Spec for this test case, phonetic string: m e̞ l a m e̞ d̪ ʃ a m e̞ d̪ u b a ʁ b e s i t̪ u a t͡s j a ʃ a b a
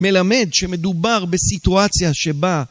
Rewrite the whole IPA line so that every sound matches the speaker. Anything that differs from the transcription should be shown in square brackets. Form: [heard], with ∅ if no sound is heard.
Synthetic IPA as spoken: m e̞ l a m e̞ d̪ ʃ [e] m e̞ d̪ u b a ʁ b e s i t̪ u a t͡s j a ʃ [e] b a